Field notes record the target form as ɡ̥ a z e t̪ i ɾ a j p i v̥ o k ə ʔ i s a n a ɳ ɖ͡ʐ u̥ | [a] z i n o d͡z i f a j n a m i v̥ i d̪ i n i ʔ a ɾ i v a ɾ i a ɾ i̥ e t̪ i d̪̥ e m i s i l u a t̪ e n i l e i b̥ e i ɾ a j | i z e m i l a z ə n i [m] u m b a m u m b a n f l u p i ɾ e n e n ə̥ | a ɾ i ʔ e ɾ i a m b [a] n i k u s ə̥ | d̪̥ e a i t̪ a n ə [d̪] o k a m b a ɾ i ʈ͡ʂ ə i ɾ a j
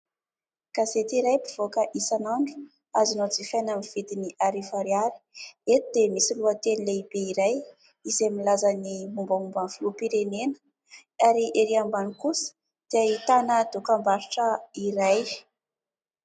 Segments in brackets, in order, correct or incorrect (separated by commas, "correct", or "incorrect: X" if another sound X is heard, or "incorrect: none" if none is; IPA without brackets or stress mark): correct, correct, correct, correct